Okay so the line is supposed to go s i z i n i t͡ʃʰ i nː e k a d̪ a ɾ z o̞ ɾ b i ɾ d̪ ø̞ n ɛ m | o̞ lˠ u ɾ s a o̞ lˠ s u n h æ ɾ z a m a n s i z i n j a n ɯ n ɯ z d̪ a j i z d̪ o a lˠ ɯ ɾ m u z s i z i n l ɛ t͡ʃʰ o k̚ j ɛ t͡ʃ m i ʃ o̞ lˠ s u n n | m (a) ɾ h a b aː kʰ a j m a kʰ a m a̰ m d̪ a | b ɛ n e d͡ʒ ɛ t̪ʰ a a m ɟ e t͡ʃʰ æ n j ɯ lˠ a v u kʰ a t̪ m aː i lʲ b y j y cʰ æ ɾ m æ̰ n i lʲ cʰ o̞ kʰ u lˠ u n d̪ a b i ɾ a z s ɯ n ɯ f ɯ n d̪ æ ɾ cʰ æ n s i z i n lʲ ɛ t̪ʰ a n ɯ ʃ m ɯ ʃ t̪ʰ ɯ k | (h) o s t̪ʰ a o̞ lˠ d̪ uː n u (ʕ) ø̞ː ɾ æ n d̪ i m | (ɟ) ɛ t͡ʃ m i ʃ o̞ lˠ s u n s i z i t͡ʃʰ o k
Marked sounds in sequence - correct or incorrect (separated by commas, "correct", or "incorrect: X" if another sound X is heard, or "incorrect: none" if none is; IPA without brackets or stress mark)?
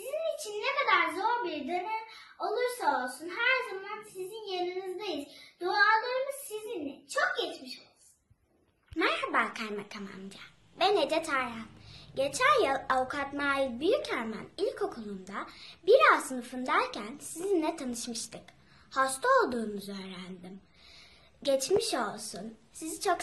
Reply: incorrect: æ, correct, incorrect: z, correct